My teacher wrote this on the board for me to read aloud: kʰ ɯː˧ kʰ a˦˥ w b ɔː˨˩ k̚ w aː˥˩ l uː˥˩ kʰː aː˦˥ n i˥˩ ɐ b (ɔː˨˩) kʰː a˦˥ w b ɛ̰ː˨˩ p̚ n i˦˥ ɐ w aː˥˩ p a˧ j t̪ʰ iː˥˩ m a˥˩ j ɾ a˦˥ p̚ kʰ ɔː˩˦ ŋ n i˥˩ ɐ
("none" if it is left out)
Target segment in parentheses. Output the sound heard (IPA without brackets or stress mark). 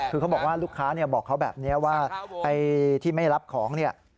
ɔː˨˩